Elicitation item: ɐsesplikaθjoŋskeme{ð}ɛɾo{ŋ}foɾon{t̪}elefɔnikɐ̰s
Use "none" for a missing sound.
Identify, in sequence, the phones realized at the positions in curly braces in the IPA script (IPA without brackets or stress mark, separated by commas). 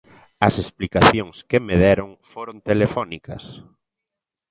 ð, ŋ, t̪